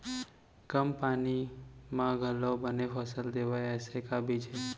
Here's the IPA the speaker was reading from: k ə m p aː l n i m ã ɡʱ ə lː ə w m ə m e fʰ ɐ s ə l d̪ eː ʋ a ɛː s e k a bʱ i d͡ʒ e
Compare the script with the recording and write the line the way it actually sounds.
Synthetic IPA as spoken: k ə m p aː n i m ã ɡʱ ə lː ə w b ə n e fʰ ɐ s ə l d̪ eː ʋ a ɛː s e k a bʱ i d͡ʒ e